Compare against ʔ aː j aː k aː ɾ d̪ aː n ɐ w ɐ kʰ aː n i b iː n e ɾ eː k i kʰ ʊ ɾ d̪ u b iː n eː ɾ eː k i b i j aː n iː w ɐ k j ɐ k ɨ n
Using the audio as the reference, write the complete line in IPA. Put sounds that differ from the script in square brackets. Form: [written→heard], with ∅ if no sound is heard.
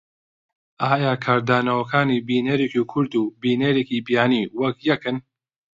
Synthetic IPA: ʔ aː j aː [k→kʰ] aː ɾ d̪ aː n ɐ w ɐ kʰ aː n i b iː n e ɾ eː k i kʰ ʊ ɾ d̪ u b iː n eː ɾ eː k i b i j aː n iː w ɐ k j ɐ k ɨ n

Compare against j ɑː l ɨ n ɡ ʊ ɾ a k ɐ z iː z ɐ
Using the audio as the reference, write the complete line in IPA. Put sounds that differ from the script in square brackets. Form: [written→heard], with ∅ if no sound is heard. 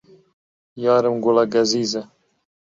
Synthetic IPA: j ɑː [l→ɾ] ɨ [n→m] ɡ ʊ [ɾ→l] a [k→ɡ] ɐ z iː z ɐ

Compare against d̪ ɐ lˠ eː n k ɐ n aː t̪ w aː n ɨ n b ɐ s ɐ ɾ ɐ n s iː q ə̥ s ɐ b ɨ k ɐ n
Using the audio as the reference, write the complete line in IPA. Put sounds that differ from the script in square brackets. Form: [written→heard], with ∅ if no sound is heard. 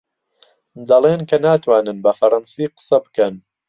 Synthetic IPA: d̪ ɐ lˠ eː n k ɐ n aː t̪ w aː n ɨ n b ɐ [s→f] ɐ ɾ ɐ n s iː q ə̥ s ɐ b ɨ k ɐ n

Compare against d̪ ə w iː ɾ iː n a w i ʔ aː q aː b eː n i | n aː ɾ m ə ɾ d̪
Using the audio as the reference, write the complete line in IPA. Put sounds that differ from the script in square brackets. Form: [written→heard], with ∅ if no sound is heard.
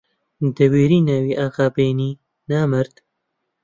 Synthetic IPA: d̪ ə w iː ɾ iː n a w i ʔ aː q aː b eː n i | n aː [ɾ→∅] m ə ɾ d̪

